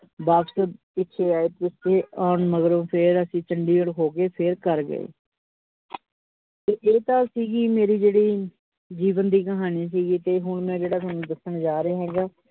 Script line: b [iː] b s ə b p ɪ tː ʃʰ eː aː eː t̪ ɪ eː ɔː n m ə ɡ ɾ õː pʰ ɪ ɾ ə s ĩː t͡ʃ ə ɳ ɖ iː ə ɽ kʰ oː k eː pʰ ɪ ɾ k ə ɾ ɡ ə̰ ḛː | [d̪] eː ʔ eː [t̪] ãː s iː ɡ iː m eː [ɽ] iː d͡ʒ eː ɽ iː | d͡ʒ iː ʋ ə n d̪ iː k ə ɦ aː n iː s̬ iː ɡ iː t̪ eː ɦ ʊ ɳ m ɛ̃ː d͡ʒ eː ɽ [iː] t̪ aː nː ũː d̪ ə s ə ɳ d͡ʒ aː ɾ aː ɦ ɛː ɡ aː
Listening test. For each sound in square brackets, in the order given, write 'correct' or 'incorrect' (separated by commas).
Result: incorrect, incorrect, correct, incorrect, incorrect